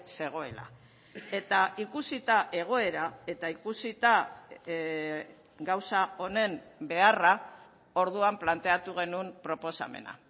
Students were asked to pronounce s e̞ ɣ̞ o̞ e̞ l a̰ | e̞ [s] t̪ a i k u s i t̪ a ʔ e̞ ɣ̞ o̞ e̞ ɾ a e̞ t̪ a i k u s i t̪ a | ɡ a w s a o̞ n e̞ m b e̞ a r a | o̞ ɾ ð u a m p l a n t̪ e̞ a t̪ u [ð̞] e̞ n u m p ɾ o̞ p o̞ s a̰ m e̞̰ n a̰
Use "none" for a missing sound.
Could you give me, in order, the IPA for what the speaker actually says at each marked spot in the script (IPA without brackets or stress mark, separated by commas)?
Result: none, ɣ̞